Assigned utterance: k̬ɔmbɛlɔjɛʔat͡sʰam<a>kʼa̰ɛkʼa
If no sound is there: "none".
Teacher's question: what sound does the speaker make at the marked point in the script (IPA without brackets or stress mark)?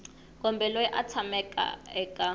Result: ɛ